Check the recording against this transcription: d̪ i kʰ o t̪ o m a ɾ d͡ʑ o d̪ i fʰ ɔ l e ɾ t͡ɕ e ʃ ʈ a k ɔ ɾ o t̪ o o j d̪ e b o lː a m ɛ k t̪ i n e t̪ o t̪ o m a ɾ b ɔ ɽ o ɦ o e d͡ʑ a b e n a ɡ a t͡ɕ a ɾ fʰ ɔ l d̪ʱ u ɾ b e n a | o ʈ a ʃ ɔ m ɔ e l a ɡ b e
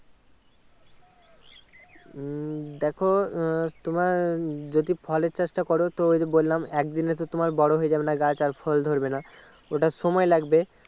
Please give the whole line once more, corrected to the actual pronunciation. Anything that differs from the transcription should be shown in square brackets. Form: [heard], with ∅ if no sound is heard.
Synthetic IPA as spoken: d̪ [ɛ] kʰ o t̪ o m a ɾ d͡ʑ o d̪ i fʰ ɔ l e ɾ t͡ɕ e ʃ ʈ a k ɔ ɾ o t̪ o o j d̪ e b o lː a m ɛ k [d̪] i n e t̪ o t̪ o m a ɾ b ɔ ɽ o ɦ o e d͡ʑ a b e n a ɡ a t͡ɕ a ɾ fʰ ɔ l d̪ʱ [o] ɾ b e n a | o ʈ a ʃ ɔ m ɔ e l a ɡ b e

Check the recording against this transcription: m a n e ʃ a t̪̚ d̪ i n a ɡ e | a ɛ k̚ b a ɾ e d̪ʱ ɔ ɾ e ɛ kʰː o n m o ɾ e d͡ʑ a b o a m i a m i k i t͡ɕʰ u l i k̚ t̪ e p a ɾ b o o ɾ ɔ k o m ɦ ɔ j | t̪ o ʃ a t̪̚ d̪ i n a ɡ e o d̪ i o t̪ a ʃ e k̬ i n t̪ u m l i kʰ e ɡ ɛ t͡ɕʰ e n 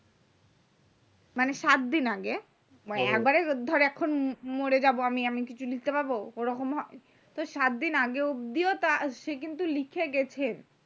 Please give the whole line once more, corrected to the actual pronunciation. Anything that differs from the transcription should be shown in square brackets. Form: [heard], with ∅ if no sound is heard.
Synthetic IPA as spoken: m a n e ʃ a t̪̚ d̪ i n a ɡ e | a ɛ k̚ b a ɾ e d̪ʱ ɔ ɾ e ɛ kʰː o n m o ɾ e d͡ʑ a b o a m i a m i k i t͡ɕʰ u l i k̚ t̪ e p a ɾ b o o ɾ ɔ k o m ɦ ɔ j | t̪ o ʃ a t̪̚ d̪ i n a ɡ e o d̪ i o t̪ a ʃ e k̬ i n t̪ u [∅] l i kʰ e ɡ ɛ t͡ɕʰ e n

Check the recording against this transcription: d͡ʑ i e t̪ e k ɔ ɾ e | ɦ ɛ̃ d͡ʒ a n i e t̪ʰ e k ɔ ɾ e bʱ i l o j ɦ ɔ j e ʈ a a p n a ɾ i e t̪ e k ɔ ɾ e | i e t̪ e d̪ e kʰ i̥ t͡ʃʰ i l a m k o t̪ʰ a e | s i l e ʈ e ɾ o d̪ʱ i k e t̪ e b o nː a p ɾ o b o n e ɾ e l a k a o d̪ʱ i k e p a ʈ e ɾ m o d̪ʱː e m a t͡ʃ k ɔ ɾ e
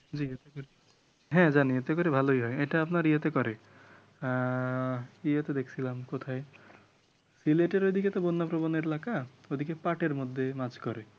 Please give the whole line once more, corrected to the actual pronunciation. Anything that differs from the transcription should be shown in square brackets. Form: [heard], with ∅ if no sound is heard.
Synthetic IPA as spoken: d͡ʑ i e t̪ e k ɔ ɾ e | ɦ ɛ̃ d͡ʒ a n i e [t̪] e k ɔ ɾ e bʱ [a] l o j ɦ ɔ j e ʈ a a p n a ɾ i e t̪ e k ɔ ɾ e | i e t̪ e d̪ e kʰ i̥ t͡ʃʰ i l a m k o t̪ʰ a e | s i l e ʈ e ɾ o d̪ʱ i k e t̪ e b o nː a p ɾ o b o n e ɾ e l a k a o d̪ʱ i k e p a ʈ e ɾ m o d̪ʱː e m a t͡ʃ k ɔ ɾ e

